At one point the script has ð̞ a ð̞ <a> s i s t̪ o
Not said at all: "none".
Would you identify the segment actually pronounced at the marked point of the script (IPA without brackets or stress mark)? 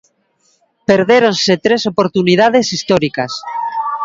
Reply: e